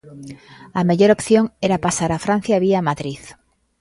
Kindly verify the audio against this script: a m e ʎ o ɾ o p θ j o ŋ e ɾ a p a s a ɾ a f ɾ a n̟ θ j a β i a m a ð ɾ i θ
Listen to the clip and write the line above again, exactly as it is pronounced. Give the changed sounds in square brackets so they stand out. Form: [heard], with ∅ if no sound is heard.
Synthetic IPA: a m e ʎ o ɾ o p θ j o ŋ e ɾ a p a s a ɾ a f ɾ a n̟ θ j a β i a m a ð ɾ i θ